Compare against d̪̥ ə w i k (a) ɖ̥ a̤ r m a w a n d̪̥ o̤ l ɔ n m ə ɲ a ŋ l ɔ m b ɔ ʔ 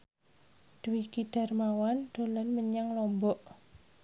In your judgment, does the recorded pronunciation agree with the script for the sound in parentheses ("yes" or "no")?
no